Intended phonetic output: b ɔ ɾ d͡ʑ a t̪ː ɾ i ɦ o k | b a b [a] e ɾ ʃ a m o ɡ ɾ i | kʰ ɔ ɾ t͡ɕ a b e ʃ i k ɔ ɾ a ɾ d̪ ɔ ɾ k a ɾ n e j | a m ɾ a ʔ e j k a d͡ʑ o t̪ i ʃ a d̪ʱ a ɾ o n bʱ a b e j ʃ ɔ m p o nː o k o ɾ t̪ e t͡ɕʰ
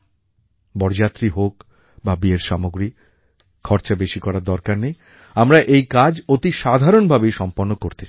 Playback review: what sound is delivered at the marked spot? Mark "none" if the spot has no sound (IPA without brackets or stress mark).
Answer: i